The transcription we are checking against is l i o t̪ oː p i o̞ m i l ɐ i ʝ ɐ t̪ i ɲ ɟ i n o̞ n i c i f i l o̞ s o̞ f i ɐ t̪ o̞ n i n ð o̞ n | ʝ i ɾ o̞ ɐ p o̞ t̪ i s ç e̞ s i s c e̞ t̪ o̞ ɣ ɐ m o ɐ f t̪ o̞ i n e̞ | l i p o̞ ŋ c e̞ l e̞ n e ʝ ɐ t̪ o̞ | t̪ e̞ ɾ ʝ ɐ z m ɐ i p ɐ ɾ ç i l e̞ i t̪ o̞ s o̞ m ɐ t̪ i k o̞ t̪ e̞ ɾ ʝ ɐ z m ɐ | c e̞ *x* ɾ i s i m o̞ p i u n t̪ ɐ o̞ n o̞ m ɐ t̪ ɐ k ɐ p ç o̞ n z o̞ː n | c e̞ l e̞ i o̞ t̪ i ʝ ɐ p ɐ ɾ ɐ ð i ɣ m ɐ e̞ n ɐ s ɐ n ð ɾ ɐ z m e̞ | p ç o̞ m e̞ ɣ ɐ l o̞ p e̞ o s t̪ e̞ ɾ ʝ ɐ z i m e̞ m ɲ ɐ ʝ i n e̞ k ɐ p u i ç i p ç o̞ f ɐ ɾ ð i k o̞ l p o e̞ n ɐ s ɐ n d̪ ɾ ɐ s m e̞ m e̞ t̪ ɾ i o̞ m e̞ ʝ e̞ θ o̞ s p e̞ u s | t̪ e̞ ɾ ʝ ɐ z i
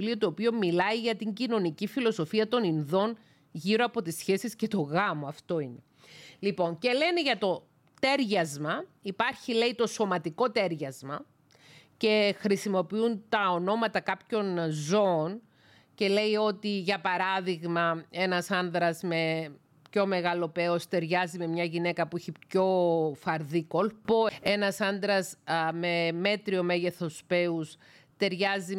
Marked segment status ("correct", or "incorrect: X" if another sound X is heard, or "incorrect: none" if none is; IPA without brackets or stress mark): correct